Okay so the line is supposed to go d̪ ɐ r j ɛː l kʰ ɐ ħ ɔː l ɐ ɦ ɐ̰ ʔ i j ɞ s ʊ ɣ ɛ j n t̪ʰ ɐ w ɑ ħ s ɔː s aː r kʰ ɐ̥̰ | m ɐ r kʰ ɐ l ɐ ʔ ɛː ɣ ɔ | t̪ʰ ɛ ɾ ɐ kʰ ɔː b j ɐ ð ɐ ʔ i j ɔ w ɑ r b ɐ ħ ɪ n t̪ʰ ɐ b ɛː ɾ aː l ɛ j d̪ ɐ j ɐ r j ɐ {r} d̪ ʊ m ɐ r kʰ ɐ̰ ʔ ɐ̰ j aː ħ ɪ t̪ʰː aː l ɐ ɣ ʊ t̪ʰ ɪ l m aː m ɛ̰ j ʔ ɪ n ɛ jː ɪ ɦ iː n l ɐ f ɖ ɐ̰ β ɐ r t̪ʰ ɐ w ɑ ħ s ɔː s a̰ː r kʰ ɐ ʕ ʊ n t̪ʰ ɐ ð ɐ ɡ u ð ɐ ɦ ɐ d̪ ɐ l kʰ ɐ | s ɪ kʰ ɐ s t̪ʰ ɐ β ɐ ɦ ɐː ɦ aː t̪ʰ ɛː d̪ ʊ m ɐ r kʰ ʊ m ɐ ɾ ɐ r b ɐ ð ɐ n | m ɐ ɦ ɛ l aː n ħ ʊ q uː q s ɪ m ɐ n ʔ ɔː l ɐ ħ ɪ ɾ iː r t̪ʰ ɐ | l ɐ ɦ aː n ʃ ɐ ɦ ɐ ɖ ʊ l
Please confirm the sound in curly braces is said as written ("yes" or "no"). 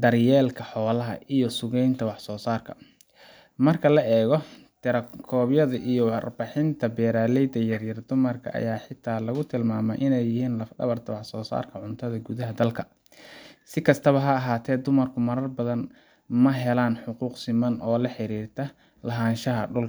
yes